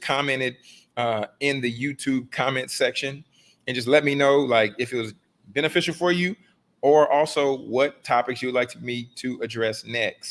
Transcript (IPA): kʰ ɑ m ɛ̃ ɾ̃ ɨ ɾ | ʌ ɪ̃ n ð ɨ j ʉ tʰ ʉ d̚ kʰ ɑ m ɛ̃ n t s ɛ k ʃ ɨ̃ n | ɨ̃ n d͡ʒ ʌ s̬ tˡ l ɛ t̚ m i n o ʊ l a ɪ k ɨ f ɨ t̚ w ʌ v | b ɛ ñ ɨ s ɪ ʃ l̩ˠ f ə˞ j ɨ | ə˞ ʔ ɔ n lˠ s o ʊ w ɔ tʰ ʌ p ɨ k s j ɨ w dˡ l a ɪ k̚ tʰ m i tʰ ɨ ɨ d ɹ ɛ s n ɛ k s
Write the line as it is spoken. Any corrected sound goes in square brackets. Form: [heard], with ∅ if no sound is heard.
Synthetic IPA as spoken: kʰ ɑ m ɛ̃ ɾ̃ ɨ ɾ | ʌ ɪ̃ n ð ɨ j ʉ tʰ ʉ [b̚] kʰ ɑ m ɛ̃ n t s ɛ k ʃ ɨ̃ n | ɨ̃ n d͡ʒ ʌ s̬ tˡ l ɛ t̚ m i n o ʊ l a ɪ k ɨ f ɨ t̚ w ʌ [z] | b ɛ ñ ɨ [f] ɪ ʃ l̩ˠ f ə˞ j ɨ | ə˞ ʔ ɔ [∅] lˠ s o ʊ w [ʌ] tʰ [ɑ] p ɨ k s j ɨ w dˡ l a ɪ k̚ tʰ m i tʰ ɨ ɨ d ɹ ɛ s n ɛ k s